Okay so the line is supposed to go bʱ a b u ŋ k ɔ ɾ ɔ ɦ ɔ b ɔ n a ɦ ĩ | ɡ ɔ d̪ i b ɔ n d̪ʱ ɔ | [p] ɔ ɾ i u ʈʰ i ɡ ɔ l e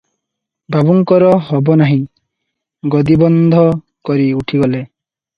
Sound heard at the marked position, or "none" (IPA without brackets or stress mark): k